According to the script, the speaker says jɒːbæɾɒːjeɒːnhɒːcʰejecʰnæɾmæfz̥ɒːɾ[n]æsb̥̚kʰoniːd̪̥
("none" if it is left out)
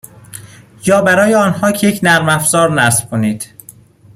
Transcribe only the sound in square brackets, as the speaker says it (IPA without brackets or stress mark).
n